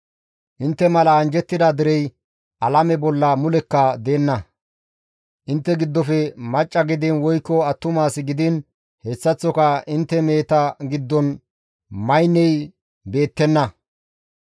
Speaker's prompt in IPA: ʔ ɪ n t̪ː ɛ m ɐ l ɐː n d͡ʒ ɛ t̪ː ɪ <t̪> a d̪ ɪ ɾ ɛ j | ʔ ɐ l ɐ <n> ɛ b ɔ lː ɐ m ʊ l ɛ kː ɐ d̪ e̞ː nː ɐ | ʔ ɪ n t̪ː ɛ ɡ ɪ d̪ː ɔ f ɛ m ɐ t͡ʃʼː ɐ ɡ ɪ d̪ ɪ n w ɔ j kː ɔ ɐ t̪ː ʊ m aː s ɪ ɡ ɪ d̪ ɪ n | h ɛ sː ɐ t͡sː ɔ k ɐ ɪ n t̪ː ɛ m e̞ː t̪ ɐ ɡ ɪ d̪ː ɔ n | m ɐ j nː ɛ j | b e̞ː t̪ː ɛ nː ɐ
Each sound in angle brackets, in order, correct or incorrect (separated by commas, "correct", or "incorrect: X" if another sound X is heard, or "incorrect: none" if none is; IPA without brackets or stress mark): incorrect: d̪, incorrect: m